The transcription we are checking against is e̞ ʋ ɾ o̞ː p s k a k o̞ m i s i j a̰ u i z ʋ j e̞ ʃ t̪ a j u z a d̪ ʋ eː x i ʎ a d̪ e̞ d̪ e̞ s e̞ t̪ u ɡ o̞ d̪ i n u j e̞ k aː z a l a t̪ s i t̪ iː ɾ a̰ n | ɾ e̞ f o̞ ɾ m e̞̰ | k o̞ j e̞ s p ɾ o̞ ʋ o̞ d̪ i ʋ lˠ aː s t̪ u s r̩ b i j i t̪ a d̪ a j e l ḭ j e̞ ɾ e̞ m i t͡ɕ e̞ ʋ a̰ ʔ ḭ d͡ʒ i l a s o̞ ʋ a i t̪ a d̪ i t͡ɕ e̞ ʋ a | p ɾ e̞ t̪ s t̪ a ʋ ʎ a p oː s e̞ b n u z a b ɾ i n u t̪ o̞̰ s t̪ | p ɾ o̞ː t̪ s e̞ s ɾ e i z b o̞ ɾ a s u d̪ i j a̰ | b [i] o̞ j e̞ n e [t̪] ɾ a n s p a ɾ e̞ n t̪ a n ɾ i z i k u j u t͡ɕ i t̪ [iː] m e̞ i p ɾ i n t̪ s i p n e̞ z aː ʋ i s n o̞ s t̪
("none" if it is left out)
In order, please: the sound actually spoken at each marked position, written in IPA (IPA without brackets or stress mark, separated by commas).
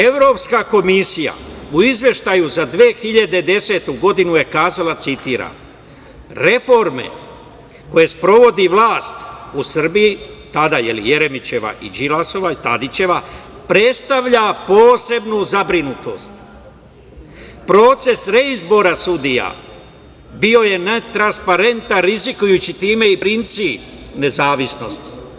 i, t̪, iː